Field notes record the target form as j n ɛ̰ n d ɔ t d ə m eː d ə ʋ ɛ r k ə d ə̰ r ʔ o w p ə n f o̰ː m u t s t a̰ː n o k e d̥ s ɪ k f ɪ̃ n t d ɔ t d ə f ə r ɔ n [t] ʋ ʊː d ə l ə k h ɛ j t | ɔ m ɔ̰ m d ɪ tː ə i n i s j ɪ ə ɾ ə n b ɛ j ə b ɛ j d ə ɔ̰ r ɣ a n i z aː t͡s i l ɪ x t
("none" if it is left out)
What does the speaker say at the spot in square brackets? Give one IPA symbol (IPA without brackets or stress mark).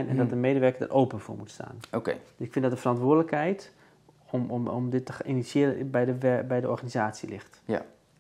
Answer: t